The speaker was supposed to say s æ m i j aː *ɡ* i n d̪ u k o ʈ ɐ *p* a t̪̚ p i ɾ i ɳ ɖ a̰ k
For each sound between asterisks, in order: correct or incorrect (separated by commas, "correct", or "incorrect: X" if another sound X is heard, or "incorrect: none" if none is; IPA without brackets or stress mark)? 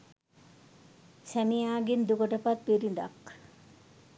correct, correct